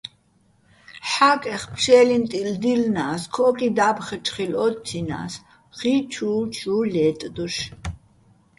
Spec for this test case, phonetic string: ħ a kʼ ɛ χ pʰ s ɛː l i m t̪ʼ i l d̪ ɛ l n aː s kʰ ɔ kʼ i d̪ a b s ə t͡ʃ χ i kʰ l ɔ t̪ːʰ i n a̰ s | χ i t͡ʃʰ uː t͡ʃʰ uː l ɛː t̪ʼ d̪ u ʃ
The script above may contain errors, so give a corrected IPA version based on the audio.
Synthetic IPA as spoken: ħ a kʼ ɛ χ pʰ ʃ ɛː l i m t̪ʼ i l d̪ i l n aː s kʰ ɔ kʼ i d̪ a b χ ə t͡ʃ χ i l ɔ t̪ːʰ i n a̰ s | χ i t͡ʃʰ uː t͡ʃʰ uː l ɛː t̪ʼ d̪ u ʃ

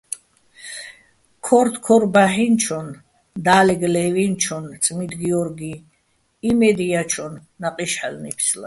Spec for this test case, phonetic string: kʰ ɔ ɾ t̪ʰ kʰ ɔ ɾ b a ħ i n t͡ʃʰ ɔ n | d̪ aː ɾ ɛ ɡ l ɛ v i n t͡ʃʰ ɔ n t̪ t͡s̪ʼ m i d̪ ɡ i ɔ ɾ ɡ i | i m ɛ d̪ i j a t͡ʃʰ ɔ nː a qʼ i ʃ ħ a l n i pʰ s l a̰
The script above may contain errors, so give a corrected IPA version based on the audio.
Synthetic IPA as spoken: kʰ ɔ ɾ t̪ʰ kʰ ɔ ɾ b a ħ i n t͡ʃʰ ɔ n | d̪ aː l ɛ ɡ l ɛ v i n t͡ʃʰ ɔ n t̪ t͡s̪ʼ m i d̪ ɡ i ɔ ɾ ɡ i | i m ɛ d̪ i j a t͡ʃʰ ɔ nː a qʼ i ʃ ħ a l n i pʰ s l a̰

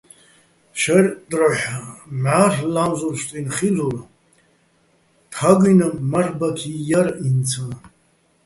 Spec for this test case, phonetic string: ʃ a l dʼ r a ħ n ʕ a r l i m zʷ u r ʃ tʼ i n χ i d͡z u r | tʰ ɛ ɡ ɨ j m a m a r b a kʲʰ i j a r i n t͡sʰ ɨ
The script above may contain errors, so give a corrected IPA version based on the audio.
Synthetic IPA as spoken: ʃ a r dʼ r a ħ m ʕ a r l a m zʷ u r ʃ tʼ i n χ i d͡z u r | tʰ a ɡ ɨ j n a m a r b a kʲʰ i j a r i n t͡sʰ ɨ

